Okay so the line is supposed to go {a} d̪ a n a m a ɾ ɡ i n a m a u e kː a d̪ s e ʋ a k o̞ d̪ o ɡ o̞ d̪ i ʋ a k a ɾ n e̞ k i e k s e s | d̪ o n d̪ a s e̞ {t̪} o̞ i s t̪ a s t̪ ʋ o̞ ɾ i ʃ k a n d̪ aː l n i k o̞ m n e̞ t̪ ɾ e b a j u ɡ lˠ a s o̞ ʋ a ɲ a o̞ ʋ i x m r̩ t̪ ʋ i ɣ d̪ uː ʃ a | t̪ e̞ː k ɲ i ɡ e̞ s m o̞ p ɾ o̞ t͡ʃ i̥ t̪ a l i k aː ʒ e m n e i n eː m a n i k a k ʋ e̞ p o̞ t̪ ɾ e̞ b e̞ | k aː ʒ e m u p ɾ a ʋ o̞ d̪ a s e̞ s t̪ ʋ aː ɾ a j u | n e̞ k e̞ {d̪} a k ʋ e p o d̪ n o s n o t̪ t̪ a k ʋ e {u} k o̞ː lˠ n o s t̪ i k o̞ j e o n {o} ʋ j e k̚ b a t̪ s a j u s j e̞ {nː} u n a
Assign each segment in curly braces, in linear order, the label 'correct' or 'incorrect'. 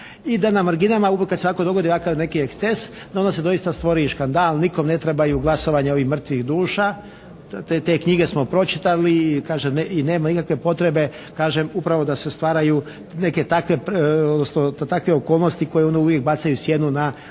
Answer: incorrect: i, incorrect: d̪, incorrect: t̪, incorrect: o, incorrect: u, incorrect: n

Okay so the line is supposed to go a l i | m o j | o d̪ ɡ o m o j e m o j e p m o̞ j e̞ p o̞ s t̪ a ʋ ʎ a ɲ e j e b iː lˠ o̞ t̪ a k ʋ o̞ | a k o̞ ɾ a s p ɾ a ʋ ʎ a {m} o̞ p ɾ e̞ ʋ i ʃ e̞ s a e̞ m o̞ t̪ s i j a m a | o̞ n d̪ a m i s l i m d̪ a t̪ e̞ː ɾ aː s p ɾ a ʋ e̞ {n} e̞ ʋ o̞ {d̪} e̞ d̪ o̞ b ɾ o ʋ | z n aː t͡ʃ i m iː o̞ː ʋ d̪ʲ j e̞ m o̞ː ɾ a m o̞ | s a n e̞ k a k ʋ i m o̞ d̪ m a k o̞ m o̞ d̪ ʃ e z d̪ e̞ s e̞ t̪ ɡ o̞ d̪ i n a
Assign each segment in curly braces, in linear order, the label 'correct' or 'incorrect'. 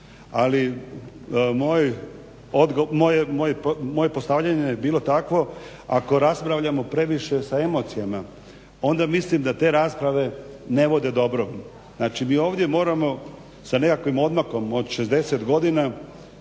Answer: correct, correct, correct

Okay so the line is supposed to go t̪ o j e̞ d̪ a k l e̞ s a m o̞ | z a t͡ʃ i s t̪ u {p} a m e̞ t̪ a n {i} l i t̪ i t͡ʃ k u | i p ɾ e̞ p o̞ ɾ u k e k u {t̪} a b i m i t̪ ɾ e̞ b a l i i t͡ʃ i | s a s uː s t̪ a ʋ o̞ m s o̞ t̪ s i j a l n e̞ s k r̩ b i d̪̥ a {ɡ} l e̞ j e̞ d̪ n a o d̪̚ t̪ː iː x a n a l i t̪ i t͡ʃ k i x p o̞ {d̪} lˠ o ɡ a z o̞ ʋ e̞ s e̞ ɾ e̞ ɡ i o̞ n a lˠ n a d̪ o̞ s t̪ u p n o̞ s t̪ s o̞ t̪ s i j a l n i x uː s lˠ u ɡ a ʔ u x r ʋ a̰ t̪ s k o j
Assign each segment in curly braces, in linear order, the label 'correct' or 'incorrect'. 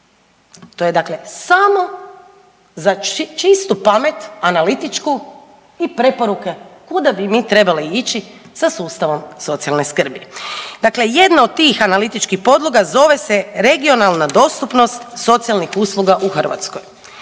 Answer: correct, incorrect: a, incorrect: d̪, incorrect: k, correct

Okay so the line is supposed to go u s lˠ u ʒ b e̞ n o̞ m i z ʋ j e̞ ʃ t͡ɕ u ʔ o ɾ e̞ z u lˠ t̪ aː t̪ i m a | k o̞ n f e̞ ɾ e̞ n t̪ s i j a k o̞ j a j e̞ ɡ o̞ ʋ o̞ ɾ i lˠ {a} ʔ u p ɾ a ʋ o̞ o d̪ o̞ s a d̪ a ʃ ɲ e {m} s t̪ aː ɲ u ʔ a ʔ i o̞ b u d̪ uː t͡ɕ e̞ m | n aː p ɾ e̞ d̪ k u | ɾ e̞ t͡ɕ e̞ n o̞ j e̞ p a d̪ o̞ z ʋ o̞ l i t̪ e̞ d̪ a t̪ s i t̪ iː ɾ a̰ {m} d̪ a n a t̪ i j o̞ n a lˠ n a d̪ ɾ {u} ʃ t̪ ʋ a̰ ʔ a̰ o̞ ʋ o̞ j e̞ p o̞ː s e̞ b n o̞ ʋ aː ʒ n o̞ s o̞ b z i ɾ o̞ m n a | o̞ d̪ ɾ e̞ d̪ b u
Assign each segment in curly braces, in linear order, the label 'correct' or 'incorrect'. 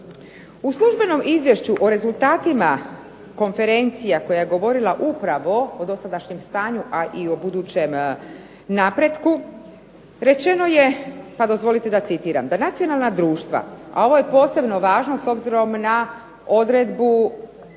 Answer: correct, correct, correct, incorrect: uː

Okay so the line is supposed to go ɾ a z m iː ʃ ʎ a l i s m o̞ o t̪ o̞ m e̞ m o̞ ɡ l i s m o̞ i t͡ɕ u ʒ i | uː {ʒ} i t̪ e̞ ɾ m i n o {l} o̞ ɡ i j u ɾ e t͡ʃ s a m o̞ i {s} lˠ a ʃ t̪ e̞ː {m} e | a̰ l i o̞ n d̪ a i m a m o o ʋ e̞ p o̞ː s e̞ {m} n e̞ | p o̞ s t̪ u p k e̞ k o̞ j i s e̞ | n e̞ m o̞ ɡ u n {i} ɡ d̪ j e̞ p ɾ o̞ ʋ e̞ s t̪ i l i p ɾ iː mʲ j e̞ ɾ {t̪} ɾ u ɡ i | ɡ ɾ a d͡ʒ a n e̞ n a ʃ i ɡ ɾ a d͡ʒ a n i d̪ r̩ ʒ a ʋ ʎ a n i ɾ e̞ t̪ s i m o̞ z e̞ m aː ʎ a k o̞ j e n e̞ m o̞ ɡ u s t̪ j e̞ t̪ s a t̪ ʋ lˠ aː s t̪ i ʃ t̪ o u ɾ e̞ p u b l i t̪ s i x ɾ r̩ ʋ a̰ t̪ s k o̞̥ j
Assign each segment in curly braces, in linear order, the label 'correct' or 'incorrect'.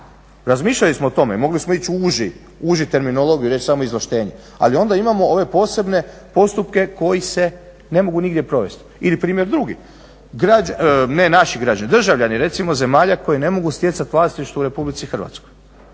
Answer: correct, correct, incorrect: z, incorrect: ɲ, incorrect: b, correct, incorrect: d̪

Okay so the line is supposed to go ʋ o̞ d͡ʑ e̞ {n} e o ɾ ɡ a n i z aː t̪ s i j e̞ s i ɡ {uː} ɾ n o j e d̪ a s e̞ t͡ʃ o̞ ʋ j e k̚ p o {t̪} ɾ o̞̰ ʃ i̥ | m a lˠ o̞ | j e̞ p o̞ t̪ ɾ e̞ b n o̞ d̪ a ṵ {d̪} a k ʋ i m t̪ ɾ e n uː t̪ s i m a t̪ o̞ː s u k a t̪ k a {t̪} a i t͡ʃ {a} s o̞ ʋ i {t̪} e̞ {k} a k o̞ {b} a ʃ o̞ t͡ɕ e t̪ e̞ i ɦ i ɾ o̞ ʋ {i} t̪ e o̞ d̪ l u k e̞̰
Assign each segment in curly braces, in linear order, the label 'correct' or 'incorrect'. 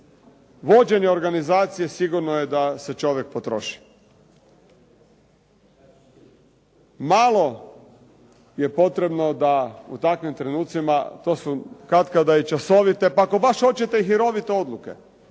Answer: incorrect: ɲ, incorrect: u, correct, incorrect: t̪, incorrect: d̪, correct, correct, incorrect: p, correct, correct

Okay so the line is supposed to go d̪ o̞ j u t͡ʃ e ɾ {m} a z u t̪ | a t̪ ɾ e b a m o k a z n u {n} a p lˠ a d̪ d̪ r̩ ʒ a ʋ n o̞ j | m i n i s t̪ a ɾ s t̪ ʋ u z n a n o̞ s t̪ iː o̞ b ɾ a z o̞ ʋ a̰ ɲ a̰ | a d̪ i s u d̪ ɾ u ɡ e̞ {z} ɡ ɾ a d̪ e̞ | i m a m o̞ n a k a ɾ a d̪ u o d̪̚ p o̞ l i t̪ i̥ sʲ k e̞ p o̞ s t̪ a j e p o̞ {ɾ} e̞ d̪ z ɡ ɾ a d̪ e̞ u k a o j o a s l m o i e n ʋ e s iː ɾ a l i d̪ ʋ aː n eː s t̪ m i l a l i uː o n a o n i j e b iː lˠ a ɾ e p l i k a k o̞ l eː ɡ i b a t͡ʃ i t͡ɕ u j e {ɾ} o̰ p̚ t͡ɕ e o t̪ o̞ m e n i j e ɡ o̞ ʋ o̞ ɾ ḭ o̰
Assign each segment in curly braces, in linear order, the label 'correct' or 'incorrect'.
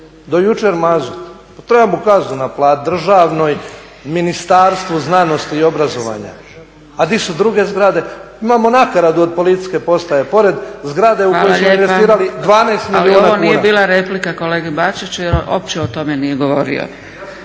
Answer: correct, correct, correct, correct, correct

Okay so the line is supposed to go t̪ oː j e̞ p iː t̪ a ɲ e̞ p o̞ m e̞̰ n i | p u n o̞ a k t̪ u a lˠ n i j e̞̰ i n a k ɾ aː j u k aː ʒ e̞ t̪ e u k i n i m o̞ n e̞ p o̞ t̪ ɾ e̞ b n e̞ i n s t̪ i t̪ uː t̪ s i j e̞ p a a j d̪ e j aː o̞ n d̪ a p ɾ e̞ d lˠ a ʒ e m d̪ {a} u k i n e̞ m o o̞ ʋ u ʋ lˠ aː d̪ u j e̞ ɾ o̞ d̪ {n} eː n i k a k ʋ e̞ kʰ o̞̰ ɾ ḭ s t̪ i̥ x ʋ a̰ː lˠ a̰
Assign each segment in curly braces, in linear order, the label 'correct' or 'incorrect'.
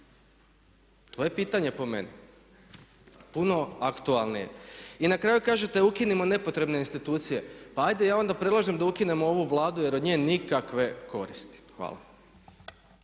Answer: correct, incorrect: ɲ

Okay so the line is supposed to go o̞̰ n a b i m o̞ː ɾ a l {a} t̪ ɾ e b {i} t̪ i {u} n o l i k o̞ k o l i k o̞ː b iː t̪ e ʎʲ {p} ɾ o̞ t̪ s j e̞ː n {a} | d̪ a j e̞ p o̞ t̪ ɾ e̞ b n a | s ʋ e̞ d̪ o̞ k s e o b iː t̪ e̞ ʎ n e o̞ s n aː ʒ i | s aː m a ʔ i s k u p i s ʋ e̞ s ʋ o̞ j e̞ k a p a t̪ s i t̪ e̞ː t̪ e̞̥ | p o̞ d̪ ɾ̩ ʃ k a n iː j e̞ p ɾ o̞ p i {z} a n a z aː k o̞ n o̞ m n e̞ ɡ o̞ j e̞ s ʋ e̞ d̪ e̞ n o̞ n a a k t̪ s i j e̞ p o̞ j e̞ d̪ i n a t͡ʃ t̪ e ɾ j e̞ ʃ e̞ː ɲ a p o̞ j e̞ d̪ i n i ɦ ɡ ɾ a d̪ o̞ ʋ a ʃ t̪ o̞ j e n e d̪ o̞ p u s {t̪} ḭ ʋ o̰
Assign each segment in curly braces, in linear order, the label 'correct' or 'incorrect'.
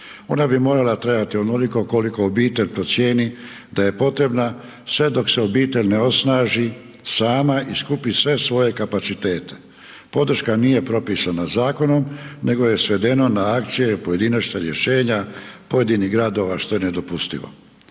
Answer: correct, incorrect: a, incorrect: o, correct, incorrect: i, incorrect: s, correct

